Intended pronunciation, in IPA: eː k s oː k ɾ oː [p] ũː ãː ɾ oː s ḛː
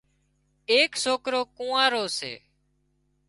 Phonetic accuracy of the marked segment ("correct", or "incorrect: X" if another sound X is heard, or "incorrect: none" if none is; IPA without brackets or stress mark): incorrect: k